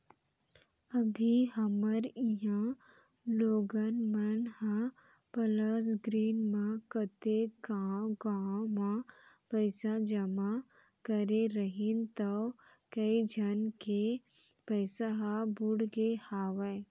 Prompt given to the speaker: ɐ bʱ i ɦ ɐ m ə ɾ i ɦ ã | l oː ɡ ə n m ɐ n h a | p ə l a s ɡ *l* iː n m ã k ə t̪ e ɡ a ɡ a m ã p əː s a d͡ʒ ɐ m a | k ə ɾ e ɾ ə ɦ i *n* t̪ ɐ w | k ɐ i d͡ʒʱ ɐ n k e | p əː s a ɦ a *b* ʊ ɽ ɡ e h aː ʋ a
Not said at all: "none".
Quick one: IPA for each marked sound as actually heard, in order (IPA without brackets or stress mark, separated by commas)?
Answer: ɾ, n, b